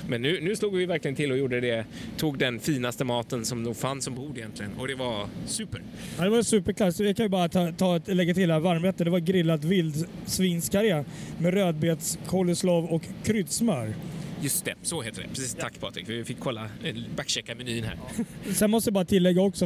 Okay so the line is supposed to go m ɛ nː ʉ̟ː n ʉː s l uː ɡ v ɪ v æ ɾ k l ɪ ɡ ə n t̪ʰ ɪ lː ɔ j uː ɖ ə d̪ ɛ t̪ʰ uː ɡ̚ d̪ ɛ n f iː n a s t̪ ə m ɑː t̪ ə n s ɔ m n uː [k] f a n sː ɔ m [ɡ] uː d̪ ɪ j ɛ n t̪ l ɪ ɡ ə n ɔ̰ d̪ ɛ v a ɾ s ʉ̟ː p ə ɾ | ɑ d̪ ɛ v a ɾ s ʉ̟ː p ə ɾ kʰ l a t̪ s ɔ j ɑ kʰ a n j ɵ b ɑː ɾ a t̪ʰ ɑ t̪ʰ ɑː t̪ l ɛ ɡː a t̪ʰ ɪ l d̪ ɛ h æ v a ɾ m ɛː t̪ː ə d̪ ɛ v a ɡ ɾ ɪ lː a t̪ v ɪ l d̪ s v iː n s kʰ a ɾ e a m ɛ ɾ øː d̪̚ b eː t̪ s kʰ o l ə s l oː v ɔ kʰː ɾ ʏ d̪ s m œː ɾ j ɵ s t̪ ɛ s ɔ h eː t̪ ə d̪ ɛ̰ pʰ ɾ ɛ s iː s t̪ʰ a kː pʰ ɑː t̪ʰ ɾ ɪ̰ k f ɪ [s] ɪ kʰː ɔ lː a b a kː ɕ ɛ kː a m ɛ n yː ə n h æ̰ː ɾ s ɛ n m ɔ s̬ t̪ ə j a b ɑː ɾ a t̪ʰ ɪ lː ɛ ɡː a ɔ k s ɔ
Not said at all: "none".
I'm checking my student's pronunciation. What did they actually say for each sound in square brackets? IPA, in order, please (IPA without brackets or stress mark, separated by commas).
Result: ɡ, b, f